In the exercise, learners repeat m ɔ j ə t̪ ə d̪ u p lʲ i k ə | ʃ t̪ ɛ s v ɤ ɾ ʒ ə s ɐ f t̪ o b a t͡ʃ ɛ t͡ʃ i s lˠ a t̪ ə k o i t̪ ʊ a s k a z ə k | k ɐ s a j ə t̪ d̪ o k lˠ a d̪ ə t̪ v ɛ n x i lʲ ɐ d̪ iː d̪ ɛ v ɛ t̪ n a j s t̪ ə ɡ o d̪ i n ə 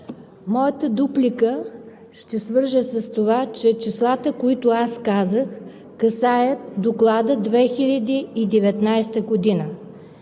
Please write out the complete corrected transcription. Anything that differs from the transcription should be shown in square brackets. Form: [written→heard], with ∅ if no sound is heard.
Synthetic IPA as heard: m ɔ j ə t̪ ə d̪ u p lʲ i k ə | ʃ t̪ ɛ s v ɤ ɾ ʒ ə s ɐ [f→s] t̪ o [b→v] a t͡ʃ ɛ t͡ʃ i s lˠ a t̪ ə k o i t̪ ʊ a s k a z ə [k→x] | k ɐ s a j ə t̪ d̪ o k lˠ a d̪ ə [t̪→d̪] v ɛ [n→∅] x i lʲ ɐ d̪ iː d̪ ɛ v ɛ t̪ n a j s t̪ ə ɡ o d̪ i n ə